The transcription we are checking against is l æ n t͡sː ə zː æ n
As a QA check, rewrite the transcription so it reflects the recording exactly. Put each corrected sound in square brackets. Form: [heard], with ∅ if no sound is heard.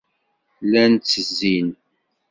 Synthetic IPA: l æ n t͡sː ə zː [i] n